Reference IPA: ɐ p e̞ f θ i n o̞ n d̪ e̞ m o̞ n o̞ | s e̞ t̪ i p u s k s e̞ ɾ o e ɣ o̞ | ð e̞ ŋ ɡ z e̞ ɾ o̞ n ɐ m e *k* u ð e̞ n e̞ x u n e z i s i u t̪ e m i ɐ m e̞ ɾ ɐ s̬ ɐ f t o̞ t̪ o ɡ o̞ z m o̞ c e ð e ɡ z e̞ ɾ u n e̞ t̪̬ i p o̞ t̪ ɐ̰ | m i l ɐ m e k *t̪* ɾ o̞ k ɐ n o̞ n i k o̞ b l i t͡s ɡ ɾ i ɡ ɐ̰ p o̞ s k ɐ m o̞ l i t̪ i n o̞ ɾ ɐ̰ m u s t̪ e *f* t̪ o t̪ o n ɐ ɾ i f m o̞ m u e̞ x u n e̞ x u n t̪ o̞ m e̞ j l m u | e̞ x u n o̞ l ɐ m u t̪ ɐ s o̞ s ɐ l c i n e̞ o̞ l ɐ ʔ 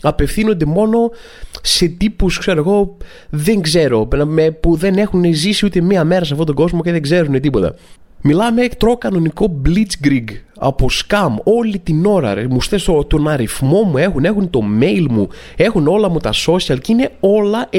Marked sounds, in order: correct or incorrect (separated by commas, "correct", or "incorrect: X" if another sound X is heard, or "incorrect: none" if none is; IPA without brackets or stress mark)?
incorrect: p, correct, incorrect: s